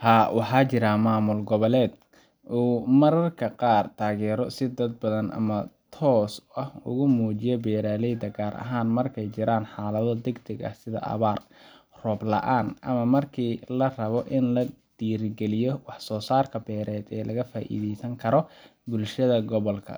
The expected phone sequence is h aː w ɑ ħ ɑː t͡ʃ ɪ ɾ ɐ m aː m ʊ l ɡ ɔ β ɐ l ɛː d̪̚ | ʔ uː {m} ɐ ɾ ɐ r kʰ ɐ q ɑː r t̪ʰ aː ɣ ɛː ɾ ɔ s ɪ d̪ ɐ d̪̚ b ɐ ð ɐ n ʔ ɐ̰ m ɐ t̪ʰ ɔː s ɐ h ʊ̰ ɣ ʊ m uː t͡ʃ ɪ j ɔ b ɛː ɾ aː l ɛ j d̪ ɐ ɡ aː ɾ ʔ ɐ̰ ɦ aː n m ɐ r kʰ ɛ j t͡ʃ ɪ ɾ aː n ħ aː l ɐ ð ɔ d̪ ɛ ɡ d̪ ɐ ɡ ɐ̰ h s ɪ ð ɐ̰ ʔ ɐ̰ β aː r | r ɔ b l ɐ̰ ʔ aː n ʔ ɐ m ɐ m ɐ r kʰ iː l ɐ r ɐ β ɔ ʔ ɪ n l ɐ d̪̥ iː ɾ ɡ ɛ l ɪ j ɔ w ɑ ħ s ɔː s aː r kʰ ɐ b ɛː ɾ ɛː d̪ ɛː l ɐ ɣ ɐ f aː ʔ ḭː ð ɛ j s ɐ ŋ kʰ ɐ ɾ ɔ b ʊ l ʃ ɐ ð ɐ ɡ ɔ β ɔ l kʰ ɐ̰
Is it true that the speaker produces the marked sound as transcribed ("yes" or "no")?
yes